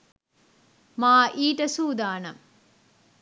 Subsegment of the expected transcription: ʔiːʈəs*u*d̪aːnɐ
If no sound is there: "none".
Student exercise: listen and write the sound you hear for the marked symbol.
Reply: uː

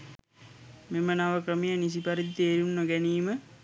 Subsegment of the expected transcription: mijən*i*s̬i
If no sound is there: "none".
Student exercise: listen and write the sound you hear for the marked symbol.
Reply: i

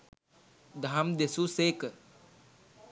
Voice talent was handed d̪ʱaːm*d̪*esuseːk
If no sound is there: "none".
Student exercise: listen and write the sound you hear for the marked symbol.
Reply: d̪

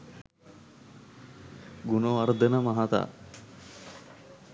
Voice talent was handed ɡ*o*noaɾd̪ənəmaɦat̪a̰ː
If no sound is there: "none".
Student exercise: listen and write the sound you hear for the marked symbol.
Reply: u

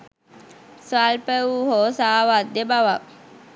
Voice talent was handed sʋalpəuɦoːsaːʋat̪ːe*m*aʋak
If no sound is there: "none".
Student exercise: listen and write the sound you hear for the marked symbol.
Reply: b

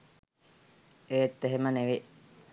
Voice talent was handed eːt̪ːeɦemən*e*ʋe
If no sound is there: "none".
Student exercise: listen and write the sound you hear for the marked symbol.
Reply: e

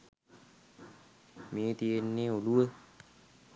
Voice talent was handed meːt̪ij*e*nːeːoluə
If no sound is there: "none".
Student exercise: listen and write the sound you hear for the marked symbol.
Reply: e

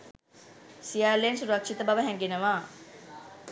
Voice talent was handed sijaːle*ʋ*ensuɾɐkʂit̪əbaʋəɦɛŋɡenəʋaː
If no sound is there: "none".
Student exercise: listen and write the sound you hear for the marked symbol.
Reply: none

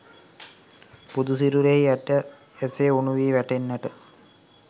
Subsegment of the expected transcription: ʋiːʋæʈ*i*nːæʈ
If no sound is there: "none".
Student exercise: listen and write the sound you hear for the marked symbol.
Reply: e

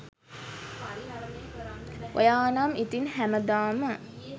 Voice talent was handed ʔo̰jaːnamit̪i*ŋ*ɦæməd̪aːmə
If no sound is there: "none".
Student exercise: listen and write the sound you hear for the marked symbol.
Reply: n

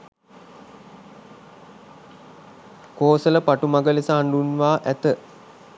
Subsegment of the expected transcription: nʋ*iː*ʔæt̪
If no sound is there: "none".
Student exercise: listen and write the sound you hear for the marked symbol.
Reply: aː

